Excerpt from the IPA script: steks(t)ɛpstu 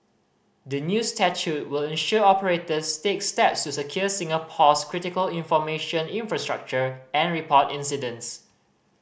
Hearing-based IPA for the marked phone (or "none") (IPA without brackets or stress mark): t